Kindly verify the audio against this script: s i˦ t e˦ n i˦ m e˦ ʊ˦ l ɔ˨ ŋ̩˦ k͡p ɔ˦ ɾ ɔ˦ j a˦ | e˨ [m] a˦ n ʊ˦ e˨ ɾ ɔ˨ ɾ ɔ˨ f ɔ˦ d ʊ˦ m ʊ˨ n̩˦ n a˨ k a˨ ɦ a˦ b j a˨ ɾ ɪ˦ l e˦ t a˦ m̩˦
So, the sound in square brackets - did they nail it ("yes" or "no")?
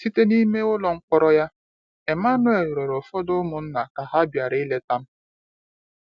yes